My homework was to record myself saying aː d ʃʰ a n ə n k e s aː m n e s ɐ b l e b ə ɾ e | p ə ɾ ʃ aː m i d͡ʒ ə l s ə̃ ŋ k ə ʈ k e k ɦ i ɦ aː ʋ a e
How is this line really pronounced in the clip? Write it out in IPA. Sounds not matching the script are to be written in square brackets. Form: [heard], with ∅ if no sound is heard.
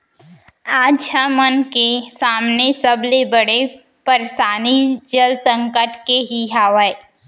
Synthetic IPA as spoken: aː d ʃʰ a [m] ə n k e s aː m n e s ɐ b l e b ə [ɽ] e | p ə ɾ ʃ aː [n] i d͡ʒ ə l s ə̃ ŋ k ə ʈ k e [∅] ɦ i ɦ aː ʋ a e